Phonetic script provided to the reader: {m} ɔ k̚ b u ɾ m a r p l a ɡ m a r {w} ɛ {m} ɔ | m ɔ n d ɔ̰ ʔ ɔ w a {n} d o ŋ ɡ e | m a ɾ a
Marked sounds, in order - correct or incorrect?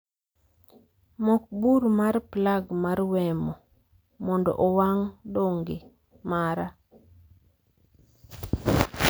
correct, correct, correct, incorrect: ŋ

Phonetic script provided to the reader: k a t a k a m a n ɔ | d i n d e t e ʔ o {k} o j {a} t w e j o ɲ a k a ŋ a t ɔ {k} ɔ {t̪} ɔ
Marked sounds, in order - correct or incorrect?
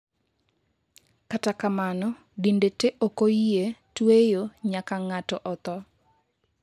correct, incorrect: e, incorrect: ʔ, correct

